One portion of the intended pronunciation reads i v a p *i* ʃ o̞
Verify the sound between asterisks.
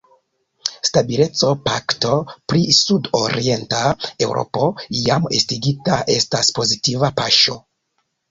incorrect: a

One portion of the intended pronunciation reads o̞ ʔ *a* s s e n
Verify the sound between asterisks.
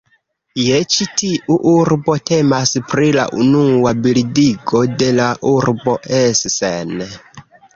incorrect: e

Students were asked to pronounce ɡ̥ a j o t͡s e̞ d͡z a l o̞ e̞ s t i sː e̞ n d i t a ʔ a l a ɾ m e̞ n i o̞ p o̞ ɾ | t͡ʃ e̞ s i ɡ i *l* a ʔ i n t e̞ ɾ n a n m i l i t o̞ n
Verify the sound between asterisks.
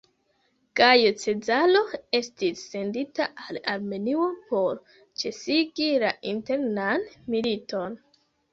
correct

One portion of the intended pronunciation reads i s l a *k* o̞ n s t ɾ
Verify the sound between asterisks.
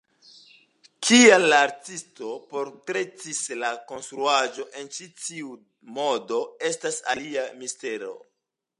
correct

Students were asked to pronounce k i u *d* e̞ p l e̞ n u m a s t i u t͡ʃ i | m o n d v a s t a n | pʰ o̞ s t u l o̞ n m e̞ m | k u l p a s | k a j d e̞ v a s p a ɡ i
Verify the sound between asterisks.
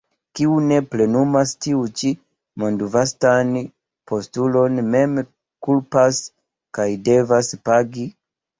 incorrect: n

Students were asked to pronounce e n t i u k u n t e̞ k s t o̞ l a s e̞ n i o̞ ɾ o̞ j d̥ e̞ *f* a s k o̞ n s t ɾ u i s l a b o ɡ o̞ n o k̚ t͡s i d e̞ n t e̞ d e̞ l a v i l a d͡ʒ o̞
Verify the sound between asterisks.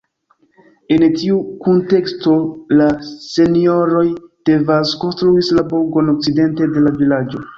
incorrect: v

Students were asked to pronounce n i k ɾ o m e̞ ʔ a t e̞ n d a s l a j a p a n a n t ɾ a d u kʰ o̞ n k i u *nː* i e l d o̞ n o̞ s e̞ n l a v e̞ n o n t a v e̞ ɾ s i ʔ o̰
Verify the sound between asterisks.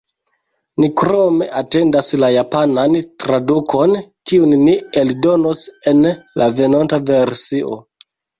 correct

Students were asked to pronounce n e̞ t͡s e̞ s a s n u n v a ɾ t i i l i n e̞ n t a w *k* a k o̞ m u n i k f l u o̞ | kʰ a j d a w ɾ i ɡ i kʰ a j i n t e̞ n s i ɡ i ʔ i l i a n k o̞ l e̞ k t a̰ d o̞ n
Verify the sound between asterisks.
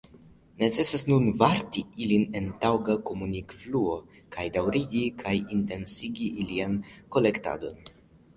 incorrect: ɡ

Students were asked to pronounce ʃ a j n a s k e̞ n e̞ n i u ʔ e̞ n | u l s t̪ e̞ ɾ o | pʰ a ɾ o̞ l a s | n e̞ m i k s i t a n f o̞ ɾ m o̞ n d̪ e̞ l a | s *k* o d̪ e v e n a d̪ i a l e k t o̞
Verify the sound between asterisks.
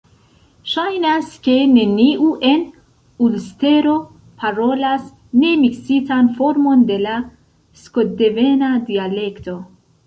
correct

